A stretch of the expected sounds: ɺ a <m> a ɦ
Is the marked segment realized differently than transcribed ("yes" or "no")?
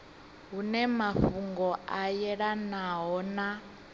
yes